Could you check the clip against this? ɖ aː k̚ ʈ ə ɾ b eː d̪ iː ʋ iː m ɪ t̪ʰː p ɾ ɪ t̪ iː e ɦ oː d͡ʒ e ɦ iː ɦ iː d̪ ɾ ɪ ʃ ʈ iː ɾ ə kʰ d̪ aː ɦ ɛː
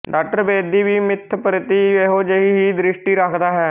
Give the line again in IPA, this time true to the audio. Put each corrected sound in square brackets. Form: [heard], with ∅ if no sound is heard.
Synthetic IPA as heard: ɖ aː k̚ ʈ ə ɾ b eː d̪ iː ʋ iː m ɪ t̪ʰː p ɾ ɪ t̪ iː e ɦ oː d͡ʒ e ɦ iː ɦ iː d̪ ɾ ɪ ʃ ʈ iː ɾ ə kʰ d̪ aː ɦ ɛː

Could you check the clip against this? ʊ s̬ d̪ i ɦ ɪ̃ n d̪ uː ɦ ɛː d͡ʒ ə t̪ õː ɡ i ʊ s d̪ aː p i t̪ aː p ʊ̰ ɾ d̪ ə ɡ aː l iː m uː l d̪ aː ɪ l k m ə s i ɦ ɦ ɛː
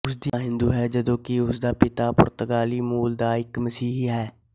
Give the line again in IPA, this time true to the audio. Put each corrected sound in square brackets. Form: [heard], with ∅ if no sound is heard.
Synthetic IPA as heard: ʊ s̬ d̪ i ɦ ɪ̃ n d̪ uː ɦ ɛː d͡ʒ ə [d̪] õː [k] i ʊ s d̪ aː p [ɪ] t̪ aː p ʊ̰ ɾ [t̪] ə ɡ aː l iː m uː l d̪ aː ɪ [∅] k m ə s [iː] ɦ ɦ ɛː

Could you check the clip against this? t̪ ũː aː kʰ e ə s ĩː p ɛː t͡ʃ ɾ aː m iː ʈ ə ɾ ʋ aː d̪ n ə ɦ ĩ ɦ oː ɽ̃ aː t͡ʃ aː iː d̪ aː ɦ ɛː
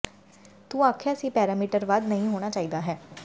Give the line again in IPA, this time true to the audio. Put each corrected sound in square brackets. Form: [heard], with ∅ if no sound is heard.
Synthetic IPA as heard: t̪ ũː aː kʰ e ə s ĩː p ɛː [∅] ɾ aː m iː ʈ ə ɾ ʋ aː d̪ n ə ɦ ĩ ɦ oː ɽ̃ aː t͡ʃ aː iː d̪ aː ɦ ɛː

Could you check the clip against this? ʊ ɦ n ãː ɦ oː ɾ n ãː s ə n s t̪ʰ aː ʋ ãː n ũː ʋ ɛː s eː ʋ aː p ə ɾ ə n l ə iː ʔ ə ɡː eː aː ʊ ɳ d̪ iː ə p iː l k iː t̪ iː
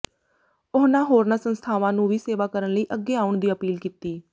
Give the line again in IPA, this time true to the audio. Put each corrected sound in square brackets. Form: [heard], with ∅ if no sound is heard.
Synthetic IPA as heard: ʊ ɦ n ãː ɦ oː ɾ n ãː s ə n s t̪ʰ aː ʋ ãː n ũː ʋ [iː] s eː ʋ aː [k] ə ɾ ə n l ə iː ʔ ə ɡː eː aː ʊ ɳ d̪ iː ə p iː l k iː t̪ iː

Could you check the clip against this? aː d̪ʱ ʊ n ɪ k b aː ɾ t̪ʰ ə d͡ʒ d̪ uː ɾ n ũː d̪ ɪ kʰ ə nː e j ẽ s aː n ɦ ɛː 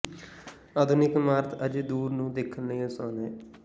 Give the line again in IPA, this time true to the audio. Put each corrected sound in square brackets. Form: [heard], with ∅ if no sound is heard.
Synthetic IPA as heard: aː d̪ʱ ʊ n ɪ k [m] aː ɾ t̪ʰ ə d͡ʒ d̪ uː ɾ n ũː d̪ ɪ kʰ ə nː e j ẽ s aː n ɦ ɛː

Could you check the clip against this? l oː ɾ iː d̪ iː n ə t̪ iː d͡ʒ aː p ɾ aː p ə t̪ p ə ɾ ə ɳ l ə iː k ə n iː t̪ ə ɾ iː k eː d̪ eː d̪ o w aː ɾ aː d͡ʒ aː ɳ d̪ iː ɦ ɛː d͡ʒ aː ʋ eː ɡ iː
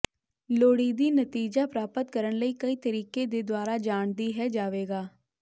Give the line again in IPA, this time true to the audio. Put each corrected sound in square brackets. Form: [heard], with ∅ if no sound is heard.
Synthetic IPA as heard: l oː [ɽ] iː d̪ iː n ə t̪ iː d͡ʒ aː p ɾ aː p ə t̪ [k] ə ɾ ə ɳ l ə iː k ə [∅] iː t̪ ə ɾ iː k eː d̪ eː d̪ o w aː ɾ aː d͡ʒ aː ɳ d̪ iː ɦ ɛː d͡ʒ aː ʋ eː ɡ [aː]

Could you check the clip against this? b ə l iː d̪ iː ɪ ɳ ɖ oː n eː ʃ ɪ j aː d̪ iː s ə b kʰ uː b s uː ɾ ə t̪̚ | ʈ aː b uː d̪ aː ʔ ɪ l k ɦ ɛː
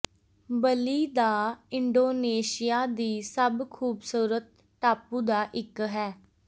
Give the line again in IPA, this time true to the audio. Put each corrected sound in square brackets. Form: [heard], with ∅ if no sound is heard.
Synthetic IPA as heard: b ə l iː d̪ [aː] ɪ ɳ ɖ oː n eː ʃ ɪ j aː d̪ iː s ə b kʰ uː b s uː ɾ ə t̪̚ | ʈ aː [p] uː d̪ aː ʔ ɪ [∅] k ɦ ɛː

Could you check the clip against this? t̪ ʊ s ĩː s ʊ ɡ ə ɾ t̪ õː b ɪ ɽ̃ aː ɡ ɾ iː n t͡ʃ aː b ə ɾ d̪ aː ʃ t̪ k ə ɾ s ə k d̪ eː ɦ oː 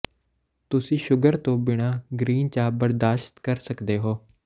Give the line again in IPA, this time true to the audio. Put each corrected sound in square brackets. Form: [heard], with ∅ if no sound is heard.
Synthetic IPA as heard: t̪ ʊ s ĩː [ʃ] ʊ ɡ ə ɾ t̪ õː b ɪ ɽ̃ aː ɡ ɾ iː n t͡ʃ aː b ə ɾ d̪ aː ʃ t̪ k ə ɾ s ə k d̪ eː ɦ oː

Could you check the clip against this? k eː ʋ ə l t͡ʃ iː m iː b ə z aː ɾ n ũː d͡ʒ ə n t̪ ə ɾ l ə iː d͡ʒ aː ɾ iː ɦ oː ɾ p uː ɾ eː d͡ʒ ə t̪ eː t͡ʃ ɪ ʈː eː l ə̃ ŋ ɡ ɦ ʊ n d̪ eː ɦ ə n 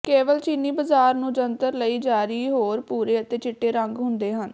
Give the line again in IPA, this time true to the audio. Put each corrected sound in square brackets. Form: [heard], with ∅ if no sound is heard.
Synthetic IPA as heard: k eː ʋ ə l t͡ʃ iː [n] iː b ə z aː ɾ n ũː d͡ʒ ə n t̪ ə ɾ l ə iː d͡ʒ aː ɾ iː ɦ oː ɾ p uː ɾ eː [∅] ə t̪ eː t͡ʃ ɪ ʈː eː [ɾ] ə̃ ŋ ɡ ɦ ʊ n d̪ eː ɦ ə n

